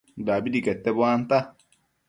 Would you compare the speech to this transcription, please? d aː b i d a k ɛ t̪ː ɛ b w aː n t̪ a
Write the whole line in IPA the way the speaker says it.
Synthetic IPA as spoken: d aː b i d i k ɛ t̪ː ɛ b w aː n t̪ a